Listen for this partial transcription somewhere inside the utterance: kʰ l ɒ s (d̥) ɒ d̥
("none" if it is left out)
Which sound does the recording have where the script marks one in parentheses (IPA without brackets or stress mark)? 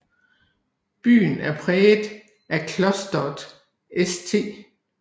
d̥